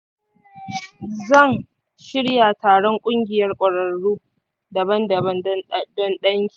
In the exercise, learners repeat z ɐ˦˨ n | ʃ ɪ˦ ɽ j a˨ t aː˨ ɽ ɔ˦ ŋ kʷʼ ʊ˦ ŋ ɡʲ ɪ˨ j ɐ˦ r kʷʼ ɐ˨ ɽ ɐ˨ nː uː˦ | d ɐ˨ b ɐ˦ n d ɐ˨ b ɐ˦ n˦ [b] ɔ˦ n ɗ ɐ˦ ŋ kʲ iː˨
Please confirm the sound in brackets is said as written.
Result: no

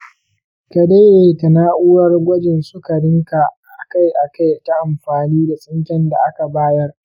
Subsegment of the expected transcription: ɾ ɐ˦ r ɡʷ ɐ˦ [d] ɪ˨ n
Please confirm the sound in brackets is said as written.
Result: no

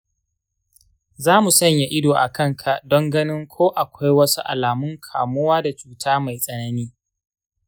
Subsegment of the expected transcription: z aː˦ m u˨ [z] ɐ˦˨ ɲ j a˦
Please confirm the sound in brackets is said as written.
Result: no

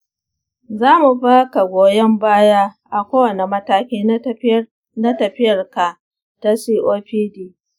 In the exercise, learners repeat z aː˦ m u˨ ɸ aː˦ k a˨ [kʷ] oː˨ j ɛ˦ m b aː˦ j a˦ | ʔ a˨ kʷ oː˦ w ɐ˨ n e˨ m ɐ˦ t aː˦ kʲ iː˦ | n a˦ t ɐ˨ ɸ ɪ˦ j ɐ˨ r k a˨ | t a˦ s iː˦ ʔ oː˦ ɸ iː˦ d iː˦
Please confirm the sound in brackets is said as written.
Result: no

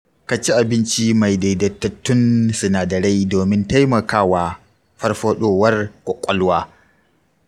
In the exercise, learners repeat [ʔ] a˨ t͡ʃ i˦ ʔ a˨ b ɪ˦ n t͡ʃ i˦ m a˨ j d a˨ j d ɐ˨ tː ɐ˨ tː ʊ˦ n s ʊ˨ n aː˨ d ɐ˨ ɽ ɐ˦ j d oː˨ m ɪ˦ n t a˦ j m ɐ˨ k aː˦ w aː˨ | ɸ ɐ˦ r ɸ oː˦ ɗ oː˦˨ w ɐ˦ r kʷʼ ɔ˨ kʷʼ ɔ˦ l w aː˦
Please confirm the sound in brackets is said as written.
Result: no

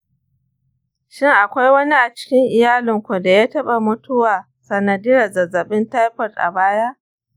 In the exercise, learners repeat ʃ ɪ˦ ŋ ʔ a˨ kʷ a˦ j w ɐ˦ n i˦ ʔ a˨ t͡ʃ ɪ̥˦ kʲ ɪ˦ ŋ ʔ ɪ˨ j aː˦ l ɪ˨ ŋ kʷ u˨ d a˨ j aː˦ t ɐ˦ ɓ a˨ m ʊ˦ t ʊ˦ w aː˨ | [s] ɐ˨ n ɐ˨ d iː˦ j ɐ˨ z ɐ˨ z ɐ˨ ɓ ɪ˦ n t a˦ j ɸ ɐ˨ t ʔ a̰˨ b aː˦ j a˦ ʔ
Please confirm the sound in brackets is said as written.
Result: yes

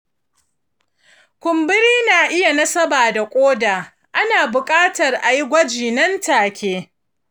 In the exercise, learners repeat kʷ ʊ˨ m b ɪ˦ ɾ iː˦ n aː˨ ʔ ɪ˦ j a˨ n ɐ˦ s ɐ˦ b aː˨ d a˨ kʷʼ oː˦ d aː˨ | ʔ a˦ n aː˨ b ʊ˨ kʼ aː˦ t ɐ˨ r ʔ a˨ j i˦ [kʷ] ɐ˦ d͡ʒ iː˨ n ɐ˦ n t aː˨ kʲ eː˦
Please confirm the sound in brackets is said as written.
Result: no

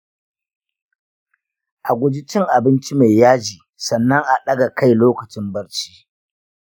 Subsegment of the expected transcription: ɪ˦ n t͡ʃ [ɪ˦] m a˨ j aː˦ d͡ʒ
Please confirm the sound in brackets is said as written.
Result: no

